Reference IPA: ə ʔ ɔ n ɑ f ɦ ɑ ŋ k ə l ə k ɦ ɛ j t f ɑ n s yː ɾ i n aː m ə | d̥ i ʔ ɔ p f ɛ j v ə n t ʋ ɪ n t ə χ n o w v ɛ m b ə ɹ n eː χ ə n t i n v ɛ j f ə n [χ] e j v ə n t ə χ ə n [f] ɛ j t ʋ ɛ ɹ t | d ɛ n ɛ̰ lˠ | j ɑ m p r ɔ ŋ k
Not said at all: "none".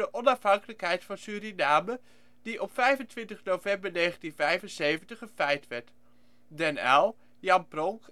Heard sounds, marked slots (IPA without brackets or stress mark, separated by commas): s, f